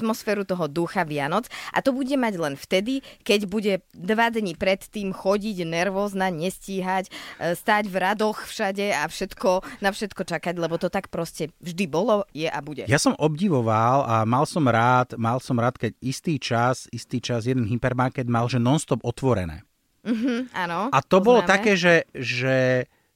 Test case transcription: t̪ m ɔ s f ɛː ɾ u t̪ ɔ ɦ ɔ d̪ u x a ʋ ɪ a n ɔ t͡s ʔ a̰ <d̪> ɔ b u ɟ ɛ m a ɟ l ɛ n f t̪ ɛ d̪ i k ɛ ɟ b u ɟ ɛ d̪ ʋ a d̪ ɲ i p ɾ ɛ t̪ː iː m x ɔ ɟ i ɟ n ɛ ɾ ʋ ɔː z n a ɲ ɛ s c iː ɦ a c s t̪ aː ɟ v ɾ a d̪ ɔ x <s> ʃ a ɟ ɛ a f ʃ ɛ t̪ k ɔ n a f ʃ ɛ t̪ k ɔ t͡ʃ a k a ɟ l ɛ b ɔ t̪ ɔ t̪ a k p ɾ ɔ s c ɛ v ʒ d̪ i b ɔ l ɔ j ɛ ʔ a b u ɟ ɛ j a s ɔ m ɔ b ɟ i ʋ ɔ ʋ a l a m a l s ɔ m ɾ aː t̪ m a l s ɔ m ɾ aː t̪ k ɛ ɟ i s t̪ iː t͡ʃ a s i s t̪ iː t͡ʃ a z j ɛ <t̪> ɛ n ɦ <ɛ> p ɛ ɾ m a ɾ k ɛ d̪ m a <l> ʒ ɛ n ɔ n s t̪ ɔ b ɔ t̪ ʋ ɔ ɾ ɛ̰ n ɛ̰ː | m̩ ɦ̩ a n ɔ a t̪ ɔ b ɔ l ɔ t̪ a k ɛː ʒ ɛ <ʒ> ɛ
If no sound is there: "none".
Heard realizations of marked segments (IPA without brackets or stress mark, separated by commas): t̪, f, d̪, i, l, ʒ